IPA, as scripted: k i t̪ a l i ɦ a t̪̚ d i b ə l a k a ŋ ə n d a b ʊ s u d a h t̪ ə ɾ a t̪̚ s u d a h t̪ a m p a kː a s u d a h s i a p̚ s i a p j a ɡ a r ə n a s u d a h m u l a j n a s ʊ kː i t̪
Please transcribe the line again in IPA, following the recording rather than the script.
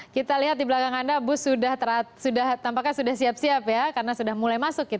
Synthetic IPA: k i t̪ a l i ɦ a t̪̚ d i b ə l a k a ŋ a n d a b ʊ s u d a h t̪ ə ɾ a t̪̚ s u d a h t̪ a m p a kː a s u d a h s i a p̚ s i a p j a k a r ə n a s u d a h m u l a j m a s ʊ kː i t̪